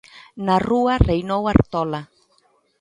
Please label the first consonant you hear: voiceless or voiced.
voiced